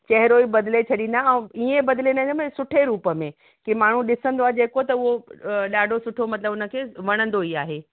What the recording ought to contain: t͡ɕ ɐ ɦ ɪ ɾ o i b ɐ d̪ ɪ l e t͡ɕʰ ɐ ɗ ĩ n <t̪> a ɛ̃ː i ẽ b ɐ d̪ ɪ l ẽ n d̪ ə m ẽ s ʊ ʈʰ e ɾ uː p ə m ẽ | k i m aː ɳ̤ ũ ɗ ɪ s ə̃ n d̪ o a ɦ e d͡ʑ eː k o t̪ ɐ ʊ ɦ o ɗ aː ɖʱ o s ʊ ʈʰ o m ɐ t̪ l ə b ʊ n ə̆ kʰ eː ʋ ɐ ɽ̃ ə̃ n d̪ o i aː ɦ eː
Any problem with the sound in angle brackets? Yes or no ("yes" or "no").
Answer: yes